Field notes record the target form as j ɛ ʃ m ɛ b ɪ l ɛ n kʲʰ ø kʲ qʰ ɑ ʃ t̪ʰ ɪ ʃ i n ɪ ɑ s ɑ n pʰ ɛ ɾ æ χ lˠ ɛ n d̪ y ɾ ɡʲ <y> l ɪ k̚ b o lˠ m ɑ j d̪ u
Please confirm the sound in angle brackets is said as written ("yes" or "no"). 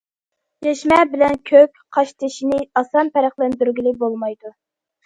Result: no